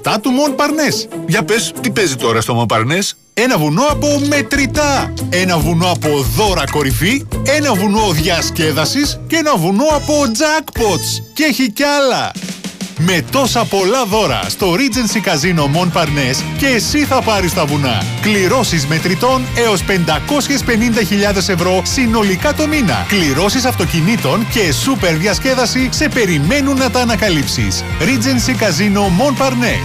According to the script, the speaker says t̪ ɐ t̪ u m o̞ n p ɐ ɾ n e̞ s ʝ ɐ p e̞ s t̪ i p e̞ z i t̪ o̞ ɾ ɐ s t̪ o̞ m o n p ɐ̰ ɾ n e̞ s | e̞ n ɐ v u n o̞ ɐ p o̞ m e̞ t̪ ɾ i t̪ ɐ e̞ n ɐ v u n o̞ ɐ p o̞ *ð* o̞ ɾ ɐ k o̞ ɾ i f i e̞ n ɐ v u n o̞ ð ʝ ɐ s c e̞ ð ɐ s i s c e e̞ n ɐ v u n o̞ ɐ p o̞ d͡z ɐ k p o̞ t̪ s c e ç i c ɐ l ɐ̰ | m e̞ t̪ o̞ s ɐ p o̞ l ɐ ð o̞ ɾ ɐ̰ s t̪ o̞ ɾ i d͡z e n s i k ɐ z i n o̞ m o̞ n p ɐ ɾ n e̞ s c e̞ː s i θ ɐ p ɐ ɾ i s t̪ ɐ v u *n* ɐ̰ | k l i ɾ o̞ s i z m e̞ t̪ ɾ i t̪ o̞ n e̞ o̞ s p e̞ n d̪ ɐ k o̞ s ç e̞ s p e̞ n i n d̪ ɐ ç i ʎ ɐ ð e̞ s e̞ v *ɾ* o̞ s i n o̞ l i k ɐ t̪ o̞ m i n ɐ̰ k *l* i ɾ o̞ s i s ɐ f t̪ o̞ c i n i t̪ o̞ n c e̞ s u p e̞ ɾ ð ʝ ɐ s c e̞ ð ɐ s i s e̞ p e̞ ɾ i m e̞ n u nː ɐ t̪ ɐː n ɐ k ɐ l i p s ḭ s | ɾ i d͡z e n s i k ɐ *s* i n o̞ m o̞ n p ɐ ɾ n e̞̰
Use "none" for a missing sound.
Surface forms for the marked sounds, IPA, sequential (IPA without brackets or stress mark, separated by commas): ð, n, ɾ, l, z